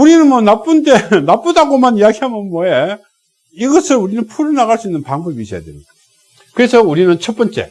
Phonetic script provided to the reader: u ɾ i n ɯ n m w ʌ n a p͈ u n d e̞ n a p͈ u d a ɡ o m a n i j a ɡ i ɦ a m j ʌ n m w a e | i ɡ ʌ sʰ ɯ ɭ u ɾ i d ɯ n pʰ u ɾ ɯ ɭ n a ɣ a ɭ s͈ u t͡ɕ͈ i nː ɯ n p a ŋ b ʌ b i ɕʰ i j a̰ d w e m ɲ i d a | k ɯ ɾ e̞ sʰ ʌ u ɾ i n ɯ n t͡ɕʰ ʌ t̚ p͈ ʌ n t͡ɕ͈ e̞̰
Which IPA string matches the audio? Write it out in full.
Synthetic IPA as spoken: u ɾ i n ɯ n m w ʌ n a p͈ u n d e̞ n a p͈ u d a ɡ o m a n i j a ɡ i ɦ a m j ʌ n m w ʌ e | i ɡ ʌ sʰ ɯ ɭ u ɾ i n ɯ n pʰ u ɾ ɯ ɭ n a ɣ a ɭ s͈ u i nː ɯ n p a ŋ b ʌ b i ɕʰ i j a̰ d w e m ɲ i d a | k ɯ ɾ e̞ sʰ ʌ u ɾ i n ɯ n t͡ɕʰ ʌ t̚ p͈ ʌ n t͡ɕ͈ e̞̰

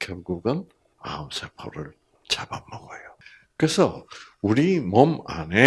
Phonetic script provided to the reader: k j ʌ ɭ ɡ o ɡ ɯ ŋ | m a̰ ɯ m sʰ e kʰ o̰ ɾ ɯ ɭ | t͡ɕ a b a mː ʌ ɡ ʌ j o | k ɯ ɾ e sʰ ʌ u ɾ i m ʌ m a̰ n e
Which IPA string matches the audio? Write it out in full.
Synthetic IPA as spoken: k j ʌ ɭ ɡ u ɡ ɯ n | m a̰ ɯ m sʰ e pʰ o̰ ɾ ɯ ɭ | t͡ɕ a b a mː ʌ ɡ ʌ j o | k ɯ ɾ e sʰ ʌ u ɾ i m ʌ m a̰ n e

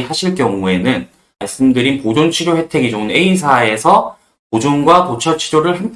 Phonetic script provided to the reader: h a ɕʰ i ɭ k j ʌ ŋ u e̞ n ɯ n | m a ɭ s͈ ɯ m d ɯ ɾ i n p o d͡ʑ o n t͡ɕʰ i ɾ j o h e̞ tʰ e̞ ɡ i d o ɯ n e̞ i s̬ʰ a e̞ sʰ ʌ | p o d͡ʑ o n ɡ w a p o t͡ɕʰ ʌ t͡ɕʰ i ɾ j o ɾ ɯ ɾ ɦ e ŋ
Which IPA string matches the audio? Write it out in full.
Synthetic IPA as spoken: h a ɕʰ i ɭ k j ʌ ŋ u e̞ n ɯ n | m a ɭ s͈ ɯ m d ɯ ɾ i n p o d͡ʑ o n t͡ɕʰ i ɾ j o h e̞ tʰ e̞ ɡ i d͡ʑ o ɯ n e̞ i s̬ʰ a e̞ sʰ ʌ | p o d͡ʑ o n ɡ w a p o t͡ɕʰ ʌ t͡ɕʰ i ɾ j o ɾ ɯ ɭ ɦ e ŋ

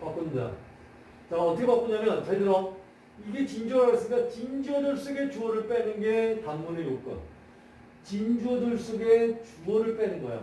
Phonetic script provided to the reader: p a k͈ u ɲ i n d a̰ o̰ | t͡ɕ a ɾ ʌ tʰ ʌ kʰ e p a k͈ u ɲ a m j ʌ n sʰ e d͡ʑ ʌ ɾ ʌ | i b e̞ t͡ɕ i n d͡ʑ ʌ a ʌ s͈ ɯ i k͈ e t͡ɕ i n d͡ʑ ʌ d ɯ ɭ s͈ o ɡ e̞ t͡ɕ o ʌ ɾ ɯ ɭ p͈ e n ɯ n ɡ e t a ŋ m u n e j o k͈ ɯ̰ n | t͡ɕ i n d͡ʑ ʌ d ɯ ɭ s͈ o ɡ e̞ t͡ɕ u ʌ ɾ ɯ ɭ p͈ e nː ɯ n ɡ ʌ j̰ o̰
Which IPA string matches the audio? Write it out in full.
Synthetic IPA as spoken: p a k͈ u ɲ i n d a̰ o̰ | t͡ɕ a ʌ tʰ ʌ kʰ e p a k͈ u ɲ a m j ʌ n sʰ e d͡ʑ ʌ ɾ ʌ | i ɡ e̞ t͡ɕ i n d͡ʑ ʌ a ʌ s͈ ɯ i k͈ a t͡ɕ i n d͡ʑ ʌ d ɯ ɭ s͈ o ɡ e̞ t͡ɕ u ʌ ɾ ɯ ɭ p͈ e n ɯ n ɡ e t a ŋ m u n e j o k͈ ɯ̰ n | t͡ɕ i n d͡ʑ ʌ d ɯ ɭ s͈ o ɡ e̞ t͡ɕ u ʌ ɾ ɯ ɭ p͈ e n ɯ n ɡ ʌ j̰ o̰

